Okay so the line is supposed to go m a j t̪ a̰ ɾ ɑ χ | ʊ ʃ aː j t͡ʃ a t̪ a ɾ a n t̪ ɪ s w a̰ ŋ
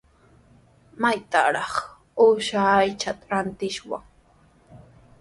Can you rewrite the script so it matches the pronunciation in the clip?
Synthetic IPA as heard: m a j t̪ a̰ ɾ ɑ χ | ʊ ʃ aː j t͡ʃ a t̪ a ɾ a n t̪ ɪ ʃ w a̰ ŋ